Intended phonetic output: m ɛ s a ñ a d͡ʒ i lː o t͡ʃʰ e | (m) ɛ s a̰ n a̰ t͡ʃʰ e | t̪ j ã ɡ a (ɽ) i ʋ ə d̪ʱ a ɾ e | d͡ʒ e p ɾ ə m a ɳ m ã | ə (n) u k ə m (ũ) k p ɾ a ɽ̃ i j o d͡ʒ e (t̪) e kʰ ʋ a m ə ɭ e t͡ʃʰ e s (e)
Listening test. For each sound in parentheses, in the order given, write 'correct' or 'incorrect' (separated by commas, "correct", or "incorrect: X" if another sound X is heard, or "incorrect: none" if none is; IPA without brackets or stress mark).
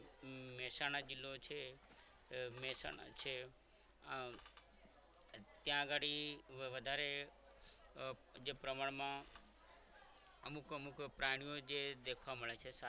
correct, correct, incorrect: m, incorrect: u, incorrect: d̪, incorrect: a